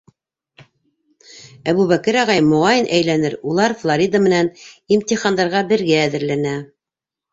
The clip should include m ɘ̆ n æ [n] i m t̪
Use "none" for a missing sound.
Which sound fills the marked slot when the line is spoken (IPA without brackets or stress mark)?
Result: n